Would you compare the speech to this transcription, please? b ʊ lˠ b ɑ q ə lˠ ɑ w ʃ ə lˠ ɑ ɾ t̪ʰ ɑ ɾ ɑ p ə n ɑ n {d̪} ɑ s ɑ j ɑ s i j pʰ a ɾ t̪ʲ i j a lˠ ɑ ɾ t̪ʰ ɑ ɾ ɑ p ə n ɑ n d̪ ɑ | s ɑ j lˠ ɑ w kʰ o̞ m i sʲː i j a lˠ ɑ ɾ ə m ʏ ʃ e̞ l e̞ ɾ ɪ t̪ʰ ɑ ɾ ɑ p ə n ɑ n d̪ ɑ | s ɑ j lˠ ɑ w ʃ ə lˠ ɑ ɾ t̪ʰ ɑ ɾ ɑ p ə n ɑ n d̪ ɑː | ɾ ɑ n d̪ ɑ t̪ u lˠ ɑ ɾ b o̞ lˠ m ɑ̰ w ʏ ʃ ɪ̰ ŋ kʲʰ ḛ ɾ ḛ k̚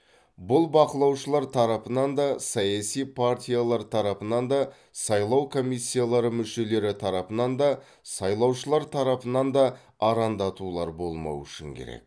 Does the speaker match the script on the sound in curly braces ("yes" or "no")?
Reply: yes